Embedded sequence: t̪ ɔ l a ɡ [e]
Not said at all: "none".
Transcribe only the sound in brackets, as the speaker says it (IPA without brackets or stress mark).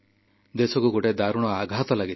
i